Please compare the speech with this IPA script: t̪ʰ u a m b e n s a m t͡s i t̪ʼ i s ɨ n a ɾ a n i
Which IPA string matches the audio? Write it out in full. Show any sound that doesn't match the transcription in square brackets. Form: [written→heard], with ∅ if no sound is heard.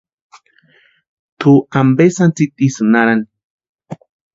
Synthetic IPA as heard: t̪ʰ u a m b e [n→∅] s a [m→n] t͡s i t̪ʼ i s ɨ n a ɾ a n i